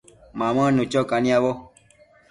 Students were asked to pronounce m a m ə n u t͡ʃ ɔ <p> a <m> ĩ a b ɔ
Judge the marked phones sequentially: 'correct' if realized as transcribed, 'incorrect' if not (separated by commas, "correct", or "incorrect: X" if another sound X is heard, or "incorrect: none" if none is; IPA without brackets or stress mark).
incorrect: k, incorrect: n